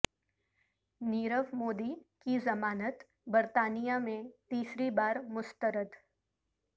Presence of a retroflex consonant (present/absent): absent